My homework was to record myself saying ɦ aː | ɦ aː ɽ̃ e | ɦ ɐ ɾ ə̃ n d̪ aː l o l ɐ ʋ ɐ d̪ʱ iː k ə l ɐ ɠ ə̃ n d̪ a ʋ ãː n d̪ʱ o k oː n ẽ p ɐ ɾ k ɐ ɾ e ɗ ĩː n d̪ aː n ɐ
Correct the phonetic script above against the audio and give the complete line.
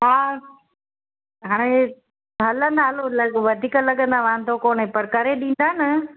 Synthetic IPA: ɦ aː | ɦ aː ɽ̃ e | ɦ ɐ l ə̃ n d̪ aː l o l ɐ ʋ ɐ d̪ʱ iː k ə l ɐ ɠ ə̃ n d̪ a ʋ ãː n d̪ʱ o k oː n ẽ p ɐ ɾ k ɐ ɾ e ɗ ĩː n d̪ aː n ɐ